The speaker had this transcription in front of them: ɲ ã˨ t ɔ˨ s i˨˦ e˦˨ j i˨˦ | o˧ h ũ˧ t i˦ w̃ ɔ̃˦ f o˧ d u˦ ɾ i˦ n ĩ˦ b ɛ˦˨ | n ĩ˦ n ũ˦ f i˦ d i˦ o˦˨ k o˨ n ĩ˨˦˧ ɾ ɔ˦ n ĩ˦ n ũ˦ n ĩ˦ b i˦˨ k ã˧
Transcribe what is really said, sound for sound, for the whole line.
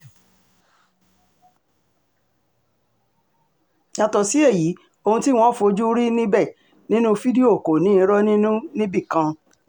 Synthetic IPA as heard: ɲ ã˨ t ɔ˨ s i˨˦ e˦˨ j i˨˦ | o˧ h ũ˧ t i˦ w̃ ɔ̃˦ f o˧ d͡ʒ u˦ ɾ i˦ n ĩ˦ b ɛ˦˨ | n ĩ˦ n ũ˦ f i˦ d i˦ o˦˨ k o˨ n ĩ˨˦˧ ɾ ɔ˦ n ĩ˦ n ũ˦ n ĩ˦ b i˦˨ k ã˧